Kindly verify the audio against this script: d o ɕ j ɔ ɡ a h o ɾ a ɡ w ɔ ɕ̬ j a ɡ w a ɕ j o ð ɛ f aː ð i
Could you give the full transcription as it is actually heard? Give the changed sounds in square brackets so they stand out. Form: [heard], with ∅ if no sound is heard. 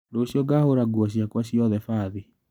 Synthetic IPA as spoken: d o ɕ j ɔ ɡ a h o ɾ a ɡ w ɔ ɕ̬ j a [k] w a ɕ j [ɔ] ð ɛ f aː ð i